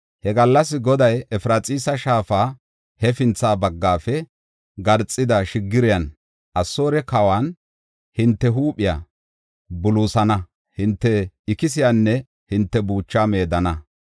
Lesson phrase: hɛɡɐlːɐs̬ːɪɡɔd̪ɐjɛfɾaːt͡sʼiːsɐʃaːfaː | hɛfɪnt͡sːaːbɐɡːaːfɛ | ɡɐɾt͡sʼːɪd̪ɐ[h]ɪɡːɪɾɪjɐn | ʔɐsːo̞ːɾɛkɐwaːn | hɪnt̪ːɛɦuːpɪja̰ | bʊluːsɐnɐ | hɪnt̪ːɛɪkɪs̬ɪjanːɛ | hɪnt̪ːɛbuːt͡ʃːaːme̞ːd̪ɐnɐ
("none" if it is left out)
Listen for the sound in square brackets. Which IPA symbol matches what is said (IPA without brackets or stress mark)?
ʃ